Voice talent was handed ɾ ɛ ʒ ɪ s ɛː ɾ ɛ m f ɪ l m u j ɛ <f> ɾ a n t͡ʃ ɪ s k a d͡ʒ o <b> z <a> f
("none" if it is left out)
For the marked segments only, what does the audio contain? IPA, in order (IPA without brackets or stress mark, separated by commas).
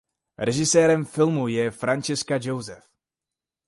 f, w, ɛ